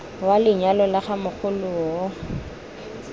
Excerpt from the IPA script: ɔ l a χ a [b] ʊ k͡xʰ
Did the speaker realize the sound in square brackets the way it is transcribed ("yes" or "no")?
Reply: no